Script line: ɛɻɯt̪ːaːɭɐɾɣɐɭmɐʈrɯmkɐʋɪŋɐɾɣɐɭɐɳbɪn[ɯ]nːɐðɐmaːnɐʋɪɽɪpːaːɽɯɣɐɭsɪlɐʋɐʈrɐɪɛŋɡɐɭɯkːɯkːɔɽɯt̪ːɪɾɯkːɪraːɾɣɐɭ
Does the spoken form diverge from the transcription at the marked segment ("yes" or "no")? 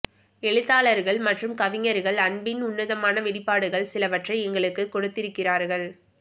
yes